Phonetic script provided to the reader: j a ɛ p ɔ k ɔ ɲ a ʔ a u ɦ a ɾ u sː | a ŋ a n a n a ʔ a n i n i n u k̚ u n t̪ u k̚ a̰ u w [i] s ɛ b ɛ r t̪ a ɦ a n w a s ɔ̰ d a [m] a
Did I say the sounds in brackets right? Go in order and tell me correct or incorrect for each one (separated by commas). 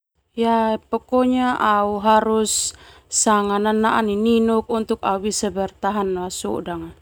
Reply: correct, incorrect